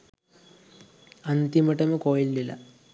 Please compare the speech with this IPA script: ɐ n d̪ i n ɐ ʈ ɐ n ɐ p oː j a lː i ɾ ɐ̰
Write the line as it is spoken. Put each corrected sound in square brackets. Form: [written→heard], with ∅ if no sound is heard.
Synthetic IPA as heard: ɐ n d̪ i [n→m] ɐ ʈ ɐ [n→m] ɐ [p→k] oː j [a→i] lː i [ɾ→l] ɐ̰